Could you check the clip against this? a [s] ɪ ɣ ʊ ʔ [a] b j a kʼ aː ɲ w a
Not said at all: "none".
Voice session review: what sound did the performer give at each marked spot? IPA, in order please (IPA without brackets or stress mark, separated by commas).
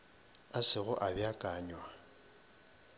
s, a